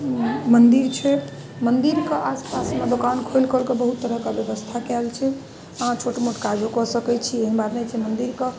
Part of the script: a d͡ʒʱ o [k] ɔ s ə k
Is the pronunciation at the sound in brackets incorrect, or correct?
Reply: correct